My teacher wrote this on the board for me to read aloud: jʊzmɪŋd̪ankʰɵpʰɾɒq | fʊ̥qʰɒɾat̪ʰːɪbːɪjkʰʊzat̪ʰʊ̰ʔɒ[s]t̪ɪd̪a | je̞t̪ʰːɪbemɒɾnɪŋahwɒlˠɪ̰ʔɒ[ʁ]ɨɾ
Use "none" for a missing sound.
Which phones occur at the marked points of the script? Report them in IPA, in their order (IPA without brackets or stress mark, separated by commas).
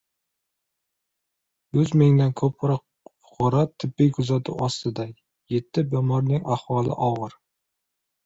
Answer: s, ʁ